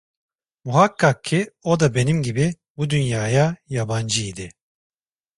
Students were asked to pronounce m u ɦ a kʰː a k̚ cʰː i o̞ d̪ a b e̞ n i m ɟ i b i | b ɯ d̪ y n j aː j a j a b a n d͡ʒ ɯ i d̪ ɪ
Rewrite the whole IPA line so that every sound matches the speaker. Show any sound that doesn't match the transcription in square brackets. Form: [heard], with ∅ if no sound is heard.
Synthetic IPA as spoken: m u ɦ a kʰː a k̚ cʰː i o̞ d̪ a b e̞ n i m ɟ i b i | b [u] d̪ y n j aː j a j a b a n d͡ʒ ɯ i d̪ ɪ